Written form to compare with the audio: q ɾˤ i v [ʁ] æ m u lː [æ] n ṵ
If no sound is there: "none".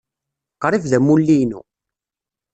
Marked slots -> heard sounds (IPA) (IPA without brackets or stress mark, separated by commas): ð, i